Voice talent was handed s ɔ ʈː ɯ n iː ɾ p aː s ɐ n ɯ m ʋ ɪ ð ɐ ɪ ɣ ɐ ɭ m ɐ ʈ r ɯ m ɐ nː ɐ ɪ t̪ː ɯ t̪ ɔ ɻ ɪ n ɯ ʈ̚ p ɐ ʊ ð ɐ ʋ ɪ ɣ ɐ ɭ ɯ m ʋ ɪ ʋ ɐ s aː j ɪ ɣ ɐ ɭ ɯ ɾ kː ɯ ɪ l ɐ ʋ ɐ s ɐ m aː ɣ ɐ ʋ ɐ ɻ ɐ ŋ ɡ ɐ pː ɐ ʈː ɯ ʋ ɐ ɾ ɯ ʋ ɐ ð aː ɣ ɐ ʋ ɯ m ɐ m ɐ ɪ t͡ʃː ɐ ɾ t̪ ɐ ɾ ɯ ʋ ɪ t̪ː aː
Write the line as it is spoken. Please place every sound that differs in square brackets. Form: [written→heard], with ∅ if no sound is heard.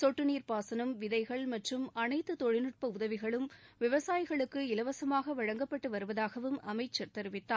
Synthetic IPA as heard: s ɔ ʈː ɯ n iː ɾ p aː s ɐ n ɯ m ʋ ɪ ð ɐ ɪ ɣ ɐ ɭ m ɐ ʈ r ɯ m ɐ [nː→n] ɐ ɪ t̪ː ɯ t̪ ɔ ɻ ɪ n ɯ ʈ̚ p ɐ ʊ ð ɐ ʋ ɪ ɣ ɐ ɭ ɯ m ʋ ɪ ʋ ɐ s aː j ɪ ɣ ɐ ɭ ɯ [ɾ→∅] kː ɯ ɪ l ɐ ʋ ɐ s ɐ m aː ɣ ɐ ʋ ɐ ɻ ɐ ŋ ɡ ɐ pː ɐ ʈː ɯ ʋ ɐ ɾ ɯ ʋ ɐ ð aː ɣ ɐ ʋ ɯ m ɐ m ɐ ɪ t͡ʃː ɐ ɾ t̪ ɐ ɾ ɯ ʋ ɪ t̪ː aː

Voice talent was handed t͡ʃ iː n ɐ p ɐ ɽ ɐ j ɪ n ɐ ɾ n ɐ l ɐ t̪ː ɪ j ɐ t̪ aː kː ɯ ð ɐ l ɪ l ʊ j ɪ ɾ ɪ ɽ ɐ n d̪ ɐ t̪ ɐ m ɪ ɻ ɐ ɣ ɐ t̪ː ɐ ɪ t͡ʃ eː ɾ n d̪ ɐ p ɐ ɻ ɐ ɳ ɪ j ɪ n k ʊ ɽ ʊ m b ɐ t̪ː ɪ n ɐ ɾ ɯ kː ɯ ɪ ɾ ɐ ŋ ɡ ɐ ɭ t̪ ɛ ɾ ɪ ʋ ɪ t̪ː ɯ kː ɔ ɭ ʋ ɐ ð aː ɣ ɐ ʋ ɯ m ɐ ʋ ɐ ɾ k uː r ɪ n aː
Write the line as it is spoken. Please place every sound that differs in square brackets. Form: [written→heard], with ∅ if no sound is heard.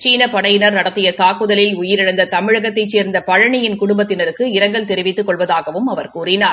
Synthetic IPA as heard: t͡ʃ iː n ɐ p ɐ ɽ ɐ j ɪ n ɐ ɾ n ɐ [l→ɽ] ɐ t̪ː ɪ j ɐ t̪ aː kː ɯ ð ɐ l ɪ l ʊ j ɪ ɾ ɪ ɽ ɐ n d̪ ɐ t̪ ɐ m ɪ ɻ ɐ ɣ ɐ t̪ː ɐ ɪ t͡ʃ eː ɾ n d̪ ɐ p ɐ ɻ ɐ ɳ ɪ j ɪ n k ʊ ɽ ʊ m b ɐ t̪ː ɪ n ɐ ɾ ɯ kː ɯ ɪ ɾ ɐ ŋ ɡ ɐ ɭ t̪ ɛ ɾ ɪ ʋ ɪ t̪ː ɯ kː ɔ ɭ ʋ ɐ ð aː ɣ ɐ ʋ ɯ m ɐ ʋ ɐ ɾ k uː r ɪ n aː

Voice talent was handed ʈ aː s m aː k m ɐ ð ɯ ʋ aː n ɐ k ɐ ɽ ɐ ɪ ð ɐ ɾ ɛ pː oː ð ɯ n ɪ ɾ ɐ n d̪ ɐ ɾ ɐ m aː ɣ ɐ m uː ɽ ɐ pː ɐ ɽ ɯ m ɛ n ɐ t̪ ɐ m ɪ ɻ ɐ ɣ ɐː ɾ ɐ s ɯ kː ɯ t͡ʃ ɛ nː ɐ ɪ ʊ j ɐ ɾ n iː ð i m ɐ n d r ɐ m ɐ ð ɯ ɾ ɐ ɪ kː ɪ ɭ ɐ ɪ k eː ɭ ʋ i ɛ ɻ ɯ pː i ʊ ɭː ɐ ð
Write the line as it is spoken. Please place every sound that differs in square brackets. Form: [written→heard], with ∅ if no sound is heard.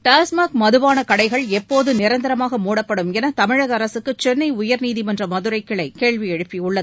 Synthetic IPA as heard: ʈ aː s m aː k m ɐ ð ɯ ʋ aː n ɐ k ɐ ɽ ɐ ɪ [ð→ɣ] ɐ [ɾ→ɭ] ɛ pː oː ð ɯ n ɪ ɾ ɐ n d̪ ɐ ɾ ɐ m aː ɣ ɐ m uː ɽ ɐ pː ɐ ɽ ɯ m ɛ n ɐ t̪ ɐ m ɪ ɻ ɐ ɣ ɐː ɾ ɐ s ɯ kː ɯ t͡ʃ ɛ nː ɐ ɪ ʊ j ɐ ɾ n iː ð i m ɐ n d r ɐ m ɐ ð ɯ ɾ ɐ ɪ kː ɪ ɭ ɐ ɪ k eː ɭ ʋ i ɛ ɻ ɯ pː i ʊ ɭː ɐ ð

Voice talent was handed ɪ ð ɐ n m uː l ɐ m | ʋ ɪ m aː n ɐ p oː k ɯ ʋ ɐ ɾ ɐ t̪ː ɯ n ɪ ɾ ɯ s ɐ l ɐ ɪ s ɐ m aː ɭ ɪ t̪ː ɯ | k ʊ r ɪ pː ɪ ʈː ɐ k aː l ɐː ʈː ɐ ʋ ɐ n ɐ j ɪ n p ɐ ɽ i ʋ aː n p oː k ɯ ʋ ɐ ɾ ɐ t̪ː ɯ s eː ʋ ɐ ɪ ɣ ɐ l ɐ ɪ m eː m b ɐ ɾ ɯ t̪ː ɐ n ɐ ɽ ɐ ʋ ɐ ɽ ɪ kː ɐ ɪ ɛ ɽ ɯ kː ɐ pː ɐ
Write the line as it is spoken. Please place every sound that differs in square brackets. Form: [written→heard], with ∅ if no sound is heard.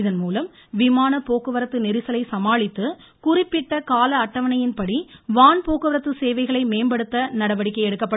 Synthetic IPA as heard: ɪ ð ɐ n m uː l ɐ m | ʋ ɪ m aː n ɐ p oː k ɯ ʋ ɐ ɾ ɐ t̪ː ɯ n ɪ ɾ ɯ s ɐ l ɐ ɪ s ɐ m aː ɭ ɪ t̪ː ɯ | k ʊ r ɪ pː ɪ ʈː ɐ k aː l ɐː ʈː ɐ ʋ ɐ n ɐ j ɪ n p ɐ ɽ i ʋ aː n p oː k ɯ ʋ ɐ ɾ ɐ t̪ː ɯ s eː ʋ ɐ ɪ ɣ ɐ [l→ɭ] ɐ ɪ m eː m b ɐ [ɾ→ɽ] ɯ t̪ː ɐ n ɐ ɽ ɐ ʋ ɐ ɽ ɪ kː ɐ ɪ ɛ ɽ ɯ kː ɐ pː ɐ

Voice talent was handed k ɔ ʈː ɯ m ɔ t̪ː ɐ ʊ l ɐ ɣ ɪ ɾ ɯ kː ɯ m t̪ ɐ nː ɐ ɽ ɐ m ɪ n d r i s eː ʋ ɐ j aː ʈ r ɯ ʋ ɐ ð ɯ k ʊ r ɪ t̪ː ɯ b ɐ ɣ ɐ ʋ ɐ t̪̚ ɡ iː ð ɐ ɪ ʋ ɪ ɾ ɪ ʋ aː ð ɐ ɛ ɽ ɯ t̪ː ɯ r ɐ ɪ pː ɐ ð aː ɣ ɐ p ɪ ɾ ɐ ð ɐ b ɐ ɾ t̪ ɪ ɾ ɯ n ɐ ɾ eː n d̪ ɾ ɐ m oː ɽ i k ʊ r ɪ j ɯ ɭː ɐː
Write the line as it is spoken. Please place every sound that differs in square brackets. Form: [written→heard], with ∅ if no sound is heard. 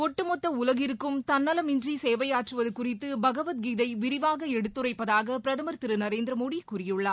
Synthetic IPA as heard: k ɔ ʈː ɯ m ɔ t̪ː ɐ ʊ l ɐ ɣ ɪ ɾ ɯ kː ɯ m t̪ ɐ nː ɐ [ɽ→l] ɐ m ɪ n d r i s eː ʋ ɐ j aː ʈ r ɯ ʋ ɐ ð ɯ k ʊ r ɪ t̪ː ɯ b ɐ ɣ ɐ ʋ ɐ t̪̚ ɡ iː ð ɐ ɪ ʋ ɪ ɾ ɪ ʋ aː [ð→ɣ] ɐ ɛ ɽ ɯ t̪ː ɯ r ɐ ɪ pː ɐ ð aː ɣ ɐ p ɪ ɾ ɐ ð ɐ [b→m] ɐ ɾ t̪ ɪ ɾ ɯ n ɐ ɾ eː n d̪ ɾ ɐ m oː ɽ i k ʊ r ɪ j ɯ ɭː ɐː

